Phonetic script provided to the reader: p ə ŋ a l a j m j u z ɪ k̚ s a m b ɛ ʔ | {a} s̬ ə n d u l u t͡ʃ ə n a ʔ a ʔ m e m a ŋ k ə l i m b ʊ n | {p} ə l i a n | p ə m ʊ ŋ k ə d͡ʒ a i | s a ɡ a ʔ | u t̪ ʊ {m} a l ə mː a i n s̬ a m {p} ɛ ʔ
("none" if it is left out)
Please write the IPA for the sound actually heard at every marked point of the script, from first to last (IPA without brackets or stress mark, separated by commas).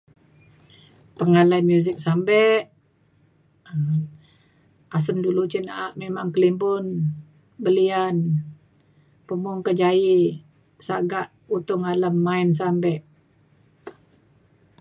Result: a, b, ŋ, b